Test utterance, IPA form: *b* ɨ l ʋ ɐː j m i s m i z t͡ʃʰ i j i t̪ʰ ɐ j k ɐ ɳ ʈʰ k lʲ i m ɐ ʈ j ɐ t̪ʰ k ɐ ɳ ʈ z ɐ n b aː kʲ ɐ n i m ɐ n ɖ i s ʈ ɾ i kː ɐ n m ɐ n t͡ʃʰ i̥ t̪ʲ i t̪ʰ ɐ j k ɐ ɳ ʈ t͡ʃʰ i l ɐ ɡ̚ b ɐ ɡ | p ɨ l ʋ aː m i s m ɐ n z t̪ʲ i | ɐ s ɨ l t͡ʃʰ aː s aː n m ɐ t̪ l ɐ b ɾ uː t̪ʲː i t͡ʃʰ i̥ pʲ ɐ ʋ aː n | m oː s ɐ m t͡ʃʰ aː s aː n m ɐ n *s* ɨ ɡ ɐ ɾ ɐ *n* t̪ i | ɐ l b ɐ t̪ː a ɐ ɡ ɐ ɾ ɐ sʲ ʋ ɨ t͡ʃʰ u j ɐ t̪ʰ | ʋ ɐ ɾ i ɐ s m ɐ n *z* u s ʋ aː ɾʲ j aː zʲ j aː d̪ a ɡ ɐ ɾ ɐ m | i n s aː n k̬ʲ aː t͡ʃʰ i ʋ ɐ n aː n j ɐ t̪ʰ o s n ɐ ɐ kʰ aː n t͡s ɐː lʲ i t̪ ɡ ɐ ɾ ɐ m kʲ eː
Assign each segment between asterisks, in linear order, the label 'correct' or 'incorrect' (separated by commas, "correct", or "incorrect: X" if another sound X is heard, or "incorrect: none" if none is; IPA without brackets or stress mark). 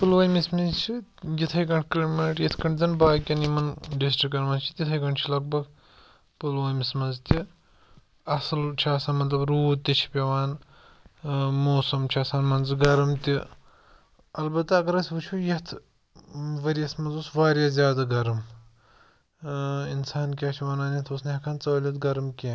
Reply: incorrect: p, incorrect: z, incorrect: m, correct